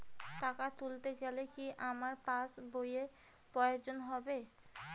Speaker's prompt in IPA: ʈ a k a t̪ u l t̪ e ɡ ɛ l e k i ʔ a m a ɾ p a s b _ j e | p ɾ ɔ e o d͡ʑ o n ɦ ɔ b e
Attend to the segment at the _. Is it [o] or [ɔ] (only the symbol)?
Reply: o